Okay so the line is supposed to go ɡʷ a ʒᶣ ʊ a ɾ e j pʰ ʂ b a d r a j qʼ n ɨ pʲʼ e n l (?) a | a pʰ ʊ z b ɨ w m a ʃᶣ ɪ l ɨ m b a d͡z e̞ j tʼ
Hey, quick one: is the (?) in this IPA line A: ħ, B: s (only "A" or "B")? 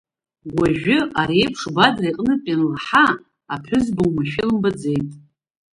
A